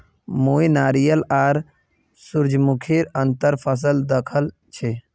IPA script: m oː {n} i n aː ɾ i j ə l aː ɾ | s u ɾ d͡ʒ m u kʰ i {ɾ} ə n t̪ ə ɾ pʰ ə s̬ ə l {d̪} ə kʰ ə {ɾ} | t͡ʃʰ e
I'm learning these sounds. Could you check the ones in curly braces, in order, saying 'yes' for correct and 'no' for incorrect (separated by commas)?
no, yes, yes, no